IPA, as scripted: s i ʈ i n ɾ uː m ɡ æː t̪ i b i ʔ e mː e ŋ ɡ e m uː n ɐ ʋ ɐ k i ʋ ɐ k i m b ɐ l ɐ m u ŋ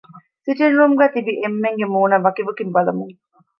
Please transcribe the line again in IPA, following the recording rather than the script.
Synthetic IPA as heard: s i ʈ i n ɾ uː m ɡ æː t̪ i b i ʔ e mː e ŋ ɡ e m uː n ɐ ʋ ɐ k i ʋ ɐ k i m b ɐ l ɐ m u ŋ